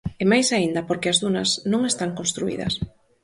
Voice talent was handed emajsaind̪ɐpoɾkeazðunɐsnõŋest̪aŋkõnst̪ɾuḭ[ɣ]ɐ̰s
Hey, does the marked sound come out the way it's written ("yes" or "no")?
no